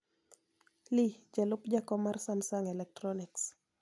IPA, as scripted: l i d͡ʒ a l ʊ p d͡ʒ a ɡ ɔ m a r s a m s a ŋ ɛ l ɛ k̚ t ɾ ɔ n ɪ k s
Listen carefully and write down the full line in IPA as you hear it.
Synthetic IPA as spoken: l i d͡ʒ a l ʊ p d͡ʒ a k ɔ m a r s a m s a ŋ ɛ l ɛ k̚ t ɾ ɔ n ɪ k s

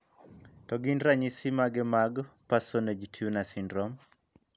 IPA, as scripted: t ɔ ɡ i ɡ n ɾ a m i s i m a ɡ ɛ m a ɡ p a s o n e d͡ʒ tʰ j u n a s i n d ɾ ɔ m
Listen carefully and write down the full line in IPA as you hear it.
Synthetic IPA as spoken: t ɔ ɡ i n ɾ a ɲ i s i m a ɡ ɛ m a ɡ p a s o n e d͡ʒ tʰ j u n a s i n d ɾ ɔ m

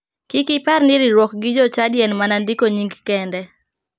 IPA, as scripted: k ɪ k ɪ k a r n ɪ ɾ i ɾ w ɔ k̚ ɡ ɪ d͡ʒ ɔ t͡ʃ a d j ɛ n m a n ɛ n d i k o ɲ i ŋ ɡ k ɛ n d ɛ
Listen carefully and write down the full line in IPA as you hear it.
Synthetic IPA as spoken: k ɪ k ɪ p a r n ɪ ɾ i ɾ w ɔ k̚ ɡ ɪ d͡ʒ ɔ t͡ʃ a d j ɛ n m a n a n d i k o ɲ i ŋ ɡ k ɛ n d ɛ

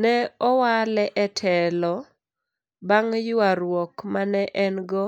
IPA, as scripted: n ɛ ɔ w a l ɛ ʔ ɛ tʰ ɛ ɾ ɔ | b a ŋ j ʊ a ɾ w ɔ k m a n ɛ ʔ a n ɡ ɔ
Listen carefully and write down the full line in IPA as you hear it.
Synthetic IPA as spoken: n ɛ ɔ w a l ɛ ʔ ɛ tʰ ɛ l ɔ | b a ŋ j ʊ a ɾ w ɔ k m a n ɛ ʔ ɛ n ɡ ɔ

